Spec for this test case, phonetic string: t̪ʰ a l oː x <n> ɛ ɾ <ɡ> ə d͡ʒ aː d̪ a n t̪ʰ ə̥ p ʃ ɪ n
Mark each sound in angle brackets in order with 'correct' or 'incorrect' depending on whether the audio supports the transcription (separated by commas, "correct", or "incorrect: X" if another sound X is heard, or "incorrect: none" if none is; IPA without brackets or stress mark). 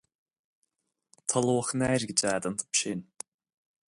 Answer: correct, correct